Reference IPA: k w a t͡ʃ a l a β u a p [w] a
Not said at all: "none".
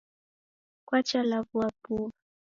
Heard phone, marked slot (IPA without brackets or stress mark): u